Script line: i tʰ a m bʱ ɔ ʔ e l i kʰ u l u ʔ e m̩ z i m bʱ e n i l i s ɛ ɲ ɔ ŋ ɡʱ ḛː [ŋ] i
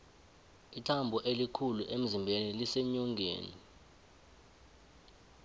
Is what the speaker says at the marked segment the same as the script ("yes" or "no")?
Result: no